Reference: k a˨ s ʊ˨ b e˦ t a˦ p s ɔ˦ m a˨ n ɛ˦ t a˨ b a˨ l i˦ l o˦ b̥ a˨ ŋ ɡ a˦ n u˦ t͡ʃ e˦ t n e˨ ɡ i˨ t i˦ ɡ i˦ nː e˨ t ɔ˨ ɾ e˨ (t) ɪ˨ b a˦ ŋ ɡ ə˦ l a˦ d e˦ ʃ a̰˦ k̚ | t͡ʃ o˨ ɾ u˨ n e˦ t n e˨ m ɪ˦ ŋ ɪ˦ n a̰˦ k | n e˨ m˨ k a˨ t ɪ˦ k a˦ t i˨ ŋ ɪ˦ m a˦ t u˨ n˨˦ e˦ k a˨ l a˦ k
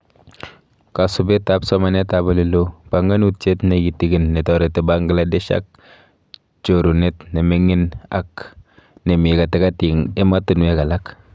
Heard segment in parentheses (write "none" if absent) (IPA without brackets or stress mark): t